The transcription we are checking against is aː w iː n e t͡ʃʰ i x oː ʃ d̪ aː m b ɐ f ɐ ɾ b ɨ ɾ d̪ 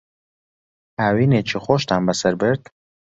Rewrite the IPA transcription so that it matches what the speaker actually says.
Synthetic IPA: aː w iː n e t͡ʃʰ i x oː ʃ t̪ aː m b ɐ s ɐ ɾ b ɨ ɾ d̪